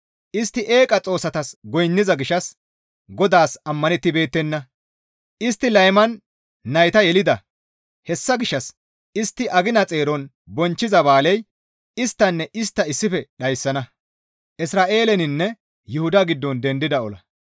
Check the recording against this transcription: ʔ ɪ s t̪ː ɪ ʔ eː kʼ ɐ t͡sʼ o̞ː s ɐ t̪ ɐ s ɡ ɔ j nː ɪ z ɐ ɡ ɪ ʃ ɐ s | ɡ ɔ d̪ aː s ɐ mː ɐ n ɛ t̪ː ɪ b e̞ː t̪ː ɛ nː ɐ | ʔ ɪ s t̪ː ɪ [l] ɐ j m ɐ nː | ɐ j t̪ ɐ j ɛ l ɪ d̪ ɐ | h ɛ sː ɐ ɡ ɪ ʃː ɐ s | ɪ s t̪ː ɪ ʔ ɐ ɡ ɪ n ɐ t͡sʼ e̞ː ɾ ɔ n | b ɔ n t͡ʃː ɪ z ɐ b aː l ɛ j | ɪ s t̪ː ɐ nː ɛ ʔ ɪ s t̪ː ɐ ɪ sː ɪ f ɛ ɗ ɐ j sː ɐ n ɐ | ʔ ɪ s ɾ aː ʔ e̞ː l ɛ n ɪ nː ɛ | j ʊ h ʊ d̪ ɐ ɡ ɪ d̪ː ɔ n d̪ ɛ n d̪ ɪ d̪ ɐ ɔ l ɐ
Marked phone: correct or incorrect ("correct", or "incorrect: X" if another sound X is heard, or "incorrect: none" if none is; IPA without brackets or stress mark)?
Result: correct